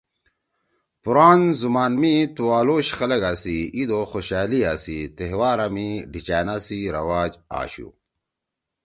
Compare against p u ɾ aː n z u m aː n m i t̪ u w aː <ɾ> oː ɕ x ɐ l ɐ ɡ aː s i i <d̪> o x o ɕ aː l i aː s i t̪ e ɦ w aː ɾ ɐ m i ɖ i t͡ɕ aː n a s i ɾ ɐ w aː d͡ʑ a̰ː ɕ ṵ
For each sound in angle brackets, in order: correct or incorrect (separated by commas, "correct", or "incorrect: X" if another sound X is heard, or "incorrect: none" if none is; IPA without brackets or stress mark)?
incorrect: l, correct